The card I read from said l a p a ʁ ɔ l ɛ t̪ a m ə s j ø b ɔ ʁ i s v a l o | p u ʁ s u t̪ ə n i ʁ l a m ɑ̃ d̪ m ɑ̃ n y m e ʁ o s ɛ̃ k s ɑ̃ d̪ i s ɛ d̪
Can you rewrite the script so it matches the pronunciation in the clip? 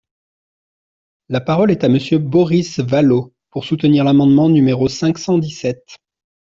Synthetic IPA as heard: l a p a ʁ ɔ l ɛ t̪ a m ə s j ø b ɔ ʁ i s v a l o | p u ʁ s u t̪ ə n i ʁ l a m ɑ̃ d̪ m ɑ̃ n y m e ʁ o s ɛ̃ k s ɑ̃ d̪ i s ɛ t̪